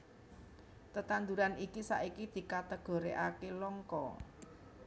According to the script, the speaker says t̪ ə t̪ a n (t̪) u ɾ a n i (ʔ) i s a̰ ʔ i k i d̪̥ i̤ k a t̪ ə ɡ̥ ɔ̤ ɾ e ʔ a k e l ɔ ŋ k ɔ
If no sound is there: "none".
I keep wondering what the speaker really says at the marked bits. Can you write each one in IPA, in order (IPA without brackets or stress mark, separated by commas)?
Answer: d̪, k